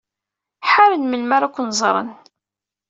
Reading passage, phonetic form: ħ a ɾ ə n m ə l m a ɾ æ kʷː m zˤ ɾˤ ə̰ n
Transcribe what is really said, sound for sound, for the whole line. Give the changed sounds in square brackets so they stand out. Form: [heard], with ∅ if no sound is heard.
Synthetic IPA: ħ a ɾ ə n m ə l m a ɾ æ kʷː [n] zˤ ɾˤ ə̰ n